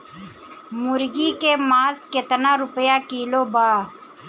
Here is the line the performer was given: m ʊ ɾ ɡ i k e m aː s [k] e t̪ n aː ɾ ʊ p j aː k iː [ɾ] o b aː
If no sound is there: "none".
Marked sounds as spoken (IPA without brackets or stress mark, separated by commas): k, l